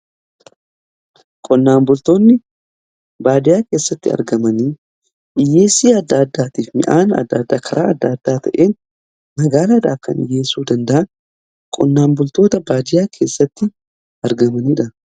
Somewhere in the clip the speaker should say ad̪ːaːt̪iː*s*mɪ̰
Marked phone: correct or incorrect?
incorrect